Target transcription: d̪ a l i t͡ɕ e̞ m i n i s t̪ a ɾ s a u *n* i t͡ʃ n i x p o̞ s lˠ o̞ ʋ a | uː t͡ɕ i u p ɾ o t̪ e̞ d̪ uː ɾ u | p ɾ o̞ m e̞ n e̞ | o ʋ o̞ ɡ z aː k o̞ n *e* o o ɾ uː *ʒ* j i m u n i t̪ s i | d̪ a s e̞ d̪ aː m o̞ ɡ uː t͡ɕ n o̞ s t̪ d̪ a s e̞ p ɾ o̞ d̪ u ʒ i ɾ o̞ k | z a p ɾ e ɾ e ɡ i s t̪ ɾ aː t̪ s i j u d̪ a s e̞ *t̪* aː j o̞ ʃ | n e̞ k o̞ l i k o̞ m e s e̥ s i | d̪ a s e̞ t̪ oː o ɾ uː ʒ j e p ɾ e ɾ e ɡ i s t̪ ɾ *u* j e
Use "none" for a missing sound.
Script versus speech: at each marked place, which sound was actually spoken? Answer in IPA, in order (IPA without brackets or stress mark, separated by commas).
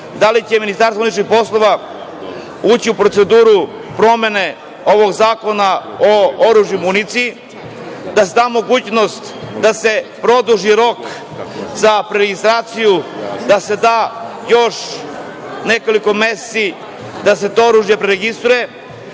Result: n, a, ʒ, d̪, u